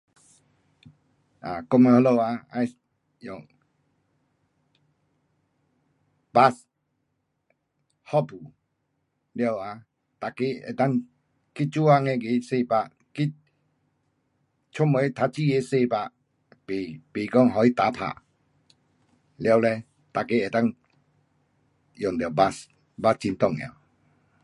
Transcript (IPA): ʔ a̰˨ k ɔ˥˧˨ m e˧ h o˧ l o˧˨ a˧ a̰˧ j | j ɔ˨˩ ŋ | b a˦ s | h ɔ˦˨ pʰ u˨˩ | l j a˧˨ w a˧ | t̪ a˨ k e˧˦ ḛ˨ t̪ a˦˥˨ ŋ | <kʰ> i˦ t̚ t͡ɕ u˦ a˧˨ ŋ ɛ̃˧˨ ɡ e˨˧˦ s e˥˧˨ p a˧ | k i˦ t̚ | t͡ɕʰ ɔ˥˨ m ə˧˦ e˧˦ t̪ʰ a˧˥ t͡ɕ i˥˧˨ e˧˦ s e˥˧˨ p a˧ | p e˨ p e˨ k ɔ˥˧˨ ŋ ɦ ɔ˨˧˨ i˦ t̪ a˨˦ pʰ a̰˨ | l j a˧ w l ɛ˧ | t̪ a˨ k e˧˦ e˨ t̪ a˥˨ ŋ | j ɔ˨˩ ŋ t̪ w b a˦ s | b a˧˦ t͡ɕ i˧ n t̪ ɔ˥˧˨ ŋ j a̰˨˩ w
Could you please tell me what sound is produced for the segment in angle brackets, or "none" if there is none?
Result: k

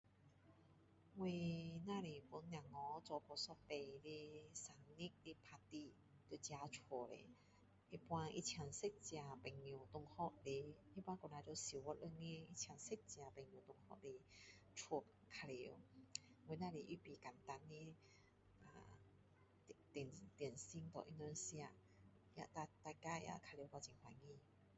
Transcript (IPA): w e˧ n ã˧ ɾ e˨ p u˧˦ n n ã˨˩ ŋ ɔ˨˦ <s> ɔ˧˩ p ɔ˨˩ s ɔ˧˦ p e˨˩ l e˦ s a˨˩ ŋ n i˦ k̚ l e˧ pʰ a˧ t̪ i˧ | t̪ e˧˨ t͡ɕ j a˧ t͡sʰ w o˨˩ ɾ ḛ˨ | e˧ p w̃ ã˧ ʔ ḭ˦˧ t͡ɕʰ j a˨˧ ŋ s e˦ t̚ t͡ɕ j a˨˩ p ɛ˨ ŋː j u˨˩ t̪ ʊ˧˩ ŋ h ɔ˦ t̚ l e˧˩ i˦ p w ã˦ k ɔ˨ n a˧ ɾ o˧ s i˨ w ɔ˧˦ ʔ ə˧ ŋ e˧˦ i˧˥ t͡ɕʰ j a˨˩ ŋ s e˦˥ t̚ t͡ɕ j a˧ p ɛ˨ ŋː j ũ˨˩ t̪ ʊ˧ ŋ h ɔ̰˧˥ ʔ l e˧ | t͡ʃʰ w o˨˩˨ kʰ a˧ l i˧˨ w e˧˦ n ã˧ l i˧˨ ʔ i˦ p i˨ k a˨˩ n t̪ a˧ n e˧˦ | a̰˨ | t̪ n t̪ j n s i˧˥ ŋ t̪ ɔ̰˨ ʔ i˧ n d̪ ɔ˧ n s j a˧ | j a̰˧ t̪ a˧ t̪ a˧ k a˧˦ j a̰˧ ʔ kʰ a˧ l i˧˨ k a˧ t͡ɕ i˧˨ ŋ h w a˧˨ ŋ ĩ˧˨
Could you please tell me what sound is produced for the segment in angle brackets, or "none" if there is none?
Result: t͡s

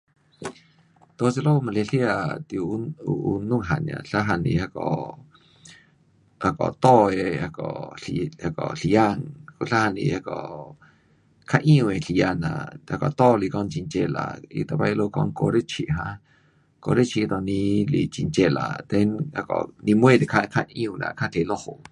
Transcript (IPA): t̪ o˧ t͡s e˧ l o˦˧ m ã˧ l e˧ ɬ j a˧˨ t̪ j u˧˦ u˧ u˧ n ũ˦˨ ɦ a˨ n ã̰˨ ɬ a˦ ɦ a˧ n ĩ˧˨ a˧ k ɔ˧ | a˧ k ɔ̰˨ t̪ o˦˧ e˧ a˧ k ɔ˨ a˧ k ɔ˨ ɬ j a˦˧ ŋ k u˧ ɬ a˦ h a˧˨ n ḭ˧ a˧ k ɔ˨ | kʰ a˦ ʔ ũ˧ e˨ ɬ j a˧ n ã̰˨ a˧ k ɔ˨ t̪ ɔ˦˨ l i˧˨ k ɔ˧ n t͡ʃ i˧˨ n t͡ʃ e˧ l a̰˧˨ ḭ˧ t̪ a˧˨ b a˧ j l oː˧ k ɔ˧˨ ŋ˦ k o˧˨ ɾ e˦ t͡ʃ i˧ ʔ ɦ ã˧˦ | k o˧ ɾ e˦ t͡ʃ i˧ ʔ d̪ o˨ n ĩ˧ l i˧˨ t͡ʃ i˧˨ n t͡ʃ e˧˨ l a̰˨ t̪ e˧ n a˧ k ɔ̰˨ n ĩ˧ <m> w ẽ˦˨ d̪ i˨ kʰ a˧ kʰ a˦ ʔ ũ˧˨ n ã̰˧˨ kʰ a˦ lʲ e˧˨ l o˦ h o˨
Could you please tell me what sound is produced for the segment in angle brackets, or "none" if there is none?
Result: m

